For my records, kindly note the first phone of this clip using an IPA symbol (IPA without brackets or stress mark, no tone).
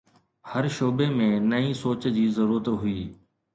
h